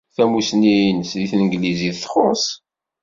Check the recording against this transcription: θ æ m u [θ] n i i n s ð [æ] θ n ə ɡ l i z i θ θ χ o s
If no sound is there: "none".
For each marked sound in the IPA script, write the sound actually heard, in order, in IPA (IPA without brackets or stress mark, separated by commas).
s, i